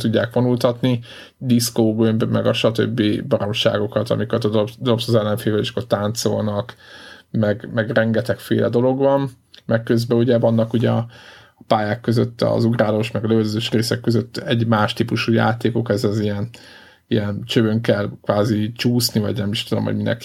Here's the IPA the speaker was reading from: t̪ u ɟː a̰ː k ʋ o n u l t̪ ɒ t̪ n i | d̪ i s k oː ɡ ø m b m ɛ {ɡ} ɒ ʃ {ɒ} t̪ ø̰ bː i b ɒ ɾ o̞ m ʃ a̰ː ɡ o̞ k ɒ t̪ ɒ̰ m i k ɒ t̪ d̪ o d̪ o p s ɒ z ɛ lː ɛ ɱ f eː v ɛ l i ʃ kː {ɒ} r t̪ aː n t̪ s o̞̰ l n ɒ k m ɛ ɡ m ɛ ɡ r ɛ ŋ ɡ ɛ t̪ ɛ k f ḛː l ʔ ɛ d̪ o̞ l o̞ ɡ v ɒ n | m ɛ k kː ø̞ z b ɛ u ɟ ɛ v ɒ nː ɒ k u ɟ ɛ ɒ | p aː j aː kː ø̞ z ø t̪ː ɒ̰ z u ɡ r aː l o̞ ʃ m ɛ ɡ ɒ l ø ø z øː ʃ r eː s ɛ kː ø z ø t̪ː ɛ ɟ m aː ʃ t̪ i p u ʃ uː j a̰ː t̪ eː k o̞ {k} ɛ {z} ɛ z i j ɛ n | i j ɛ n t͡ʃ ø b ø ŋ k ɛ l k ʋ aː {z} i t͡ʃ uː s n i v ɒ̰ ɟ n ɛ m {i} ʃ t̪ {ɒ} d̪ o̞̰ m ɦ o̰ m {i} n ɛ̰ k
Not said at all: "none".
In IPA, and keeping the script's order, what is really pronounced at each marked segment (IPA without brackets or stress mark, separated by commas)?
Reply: ɡ, ɒ, o, k, z, z, i, u, i